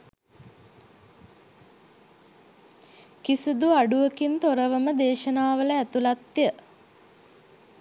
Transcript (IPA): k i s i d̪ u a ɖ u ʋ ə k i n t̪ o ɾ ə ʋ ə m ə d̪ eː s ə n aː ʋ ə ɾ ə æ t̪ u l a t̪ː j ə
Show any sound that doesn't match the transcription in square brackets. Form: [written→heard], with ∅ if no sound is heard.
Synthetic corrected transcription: k i s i d̪ u a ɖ u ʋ ə k i n t̪ o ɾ ə ʋ ə m ə d̪ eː [s→ʃ] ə n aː ʋ ə [ɾ→l] ə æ t̪ u l a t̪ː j ə